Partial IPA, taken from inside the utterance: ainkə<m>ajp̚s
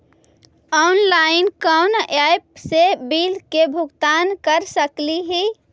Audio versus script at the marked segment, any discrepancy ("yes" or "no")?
yes